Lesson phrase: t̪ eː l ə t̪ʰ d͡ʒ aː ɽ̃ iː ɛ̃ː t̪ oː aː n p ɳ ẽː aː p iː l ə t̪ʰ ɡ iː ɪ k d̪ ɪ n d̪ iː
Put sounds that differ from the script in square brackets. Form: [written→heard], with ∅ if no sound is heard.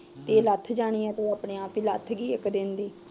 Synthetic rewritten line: t̪ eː l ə t̪ʰ d͡ʒ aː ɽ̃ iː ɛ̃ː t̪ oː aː [n→∅] p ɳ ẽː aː p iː l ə t̪ʰ ɡ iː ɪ k d̪ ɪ n d̪ iː